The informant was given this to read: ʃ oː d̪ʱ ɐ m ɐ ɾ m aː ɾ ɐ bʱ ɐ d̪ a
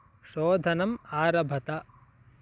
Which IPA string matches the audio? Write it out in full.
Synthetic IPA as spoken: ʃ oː d̪ʱ ɐ n ɐ m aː ɾ ɐ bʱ ɐ t̪ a